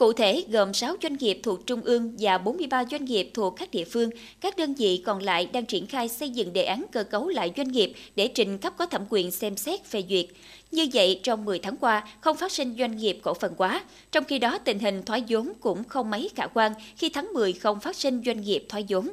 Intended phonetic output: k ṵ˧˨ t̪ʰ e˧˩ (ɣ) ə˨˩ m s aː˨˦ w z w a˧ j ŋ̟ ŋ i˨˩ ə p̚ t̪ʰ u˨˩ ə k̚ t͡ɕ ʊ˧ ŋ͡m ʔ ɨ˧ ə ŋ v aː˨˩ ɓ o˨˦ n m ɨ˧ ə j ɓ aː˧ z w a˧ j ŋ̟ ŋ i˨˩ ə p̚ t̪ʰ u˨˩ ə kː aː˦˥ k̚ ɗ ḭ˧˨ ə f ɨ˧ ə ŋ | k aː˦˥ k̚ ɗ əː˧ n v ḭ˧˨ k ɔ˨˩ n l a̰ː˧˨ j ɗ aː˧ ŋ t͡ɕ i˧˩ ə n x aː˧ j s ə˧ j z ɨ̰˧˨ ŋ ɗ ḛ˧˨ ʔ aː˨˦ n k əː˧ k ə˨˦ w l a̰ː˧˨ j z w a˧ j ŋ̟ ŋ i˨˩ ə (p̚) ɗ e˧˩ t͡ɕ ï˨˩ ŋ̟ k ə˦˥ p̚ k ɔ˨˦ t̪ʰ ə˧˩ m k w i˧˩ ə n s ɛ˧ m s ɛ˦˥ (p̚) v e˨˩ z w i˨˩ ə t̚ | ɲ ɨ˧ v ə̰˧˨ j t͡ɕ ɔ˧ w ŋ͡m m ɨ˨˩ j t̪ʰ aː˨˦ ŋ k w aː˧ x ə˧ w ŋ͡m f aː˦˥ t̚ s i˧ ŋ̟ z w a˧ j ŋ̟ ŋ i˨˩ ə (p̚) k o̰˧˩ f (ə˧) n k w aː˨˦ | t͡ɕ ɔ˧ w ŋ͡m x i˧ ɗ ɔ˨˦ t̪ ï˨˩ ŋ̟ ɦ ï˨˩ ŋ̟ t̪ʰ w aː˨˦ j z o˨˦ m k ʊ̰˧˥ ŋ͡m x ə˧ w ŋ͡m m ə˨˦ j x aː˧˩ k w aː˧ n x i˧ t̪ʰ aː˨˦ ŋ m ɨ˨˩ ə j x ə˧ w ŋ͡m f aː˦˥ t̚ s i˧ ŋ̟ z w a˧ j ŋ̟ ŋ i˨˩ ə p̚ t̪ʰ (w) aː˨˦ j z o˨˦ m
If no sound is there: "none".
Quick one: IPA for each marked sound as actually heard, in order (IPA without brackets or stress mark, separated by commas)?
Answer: ɣ, p̚, t̚, p̚, ə˨˩, w